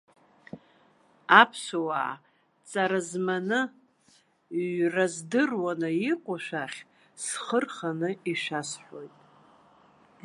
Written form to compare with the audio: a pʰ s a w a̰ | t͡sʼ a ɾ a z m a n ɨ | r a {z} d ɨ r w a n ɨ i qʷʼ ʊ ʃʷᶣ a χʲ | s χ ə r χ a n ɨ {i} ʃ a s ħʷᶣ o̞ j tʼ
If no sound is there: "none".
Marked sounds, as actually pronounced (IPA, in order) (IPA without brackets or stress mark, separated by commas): z, i